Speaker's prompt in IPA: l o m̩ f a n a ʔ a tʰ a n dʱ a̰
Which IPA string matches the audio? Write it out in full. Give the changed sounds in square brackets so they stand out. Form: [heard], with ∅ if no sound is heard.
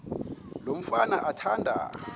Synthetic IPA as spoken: l o m̩ f a n a ʔ a tʰ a n dʱ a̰